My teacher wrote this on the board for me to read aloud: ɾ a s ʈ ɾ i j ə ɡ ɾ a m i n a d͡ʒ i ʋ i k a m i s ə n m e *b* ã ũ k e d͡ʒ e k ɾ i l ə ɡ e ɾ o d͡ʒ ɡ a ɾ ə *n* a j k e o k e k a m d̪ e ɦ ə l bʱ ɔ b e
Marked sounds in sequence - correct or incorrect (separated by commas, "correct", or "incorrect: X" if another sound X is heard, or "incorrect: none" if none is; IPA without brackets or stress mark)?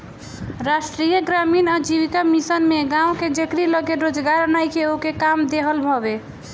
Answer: incorrect: ɡ, correct